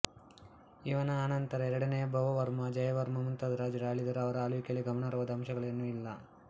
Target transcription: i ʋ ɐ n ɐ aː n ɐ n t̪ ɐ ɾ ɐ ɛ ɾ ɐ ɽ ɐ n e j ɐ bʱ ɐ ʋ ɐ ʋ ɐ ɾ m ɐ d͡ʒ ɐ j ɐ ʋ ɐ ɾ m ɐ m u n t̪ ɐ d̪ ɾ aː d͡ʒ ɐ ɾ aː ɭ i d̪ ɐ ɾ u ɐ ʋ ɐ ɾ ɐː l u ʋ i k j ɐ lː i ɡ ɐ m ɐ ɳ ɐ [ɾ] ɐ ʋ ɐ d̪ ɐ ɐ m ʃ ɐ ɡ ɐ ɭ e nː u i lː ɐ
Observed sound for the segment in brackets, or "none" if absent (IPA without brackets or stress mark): ɾ